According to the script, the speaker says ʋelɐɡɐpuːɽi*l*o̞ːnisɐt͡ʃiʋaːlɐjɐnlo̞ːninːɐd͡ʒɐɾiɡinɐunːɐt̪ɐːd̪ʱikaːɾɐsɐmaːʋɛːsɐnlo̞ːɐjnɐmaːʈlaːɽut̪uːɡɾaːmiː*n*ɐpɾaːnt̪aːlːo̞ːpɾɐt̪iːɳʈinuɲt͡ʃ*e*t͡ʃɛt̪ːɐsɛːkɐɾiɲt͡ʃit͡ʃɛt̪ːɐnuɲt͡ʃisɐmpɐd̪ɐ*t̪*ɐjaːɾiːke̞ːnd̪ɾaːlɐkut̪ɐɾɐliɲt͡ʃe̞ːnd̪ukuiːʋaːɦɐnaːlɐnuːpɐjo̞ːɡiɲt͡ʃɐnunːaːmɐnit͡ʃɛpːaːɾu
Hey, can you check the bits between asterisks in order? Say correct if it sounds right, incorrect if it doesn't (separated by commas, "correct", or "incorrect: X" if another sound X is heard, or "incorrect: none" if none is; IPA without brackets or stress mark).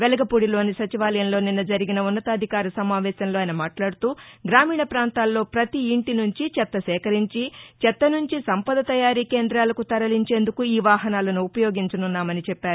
correct, incorrect: ɳ, incorrect: i, correct